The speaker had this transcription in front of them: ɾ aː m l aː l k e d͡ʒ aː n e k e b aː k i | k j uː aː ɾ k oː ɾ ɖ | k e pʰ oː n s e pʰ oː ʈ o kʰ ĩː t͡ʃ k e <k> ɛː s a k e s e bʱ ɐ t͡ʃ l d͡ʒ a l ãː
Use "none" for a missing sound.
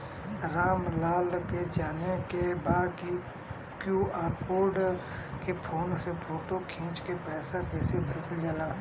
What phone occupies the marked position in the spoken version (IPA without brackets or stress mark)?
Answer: p